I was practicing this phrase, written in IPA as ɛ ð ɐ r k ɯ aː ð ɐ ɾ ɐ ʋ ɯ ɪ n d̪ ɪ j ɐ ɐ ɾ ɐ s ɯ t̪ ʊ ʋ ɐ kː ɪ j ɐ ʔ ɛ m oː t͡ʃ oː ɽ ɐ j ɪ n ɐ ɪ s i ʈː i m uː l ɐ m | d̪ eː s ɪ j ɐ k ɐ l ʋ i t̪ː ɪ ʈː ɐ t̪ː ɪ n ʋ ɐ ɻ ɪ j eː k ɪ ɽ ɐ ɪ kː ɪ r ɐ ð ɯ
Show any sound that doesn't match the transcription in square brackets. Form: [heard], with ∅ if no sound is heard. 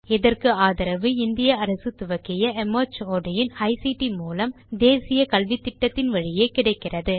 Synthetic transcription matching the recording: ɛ ð ɐ r k ɯ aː ð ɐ ɾ ɐ ʋ ɯ ɪ n d̪ ɪ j ɐ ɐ ɾ ɐ s ɯ t̪ ʊ ʋ ɐ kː ɪ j ɐ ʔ ɛ m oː t͡ʃ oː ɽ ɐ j ɪ n ɐ ɪ s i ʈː i m uː l ɐ m | d̪ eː s ɪ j ɐ k ɐ l ʋ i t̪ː ɪ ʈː ɐ t̪ː ɪ n ʋ ɐ ɻ ɪ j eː k ɪ ɽ ɐ ɪ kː ɪ r ɐ ð ɯ